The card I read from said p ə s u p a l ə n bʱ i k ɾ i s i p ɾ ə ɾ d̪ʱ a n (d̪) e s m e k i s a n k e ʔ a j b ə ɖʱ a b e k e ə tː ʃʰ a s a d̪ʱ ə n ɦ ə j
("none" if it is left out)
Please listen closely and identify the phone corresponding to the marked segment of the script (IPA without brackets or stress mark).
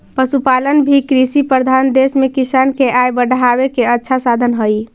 d̪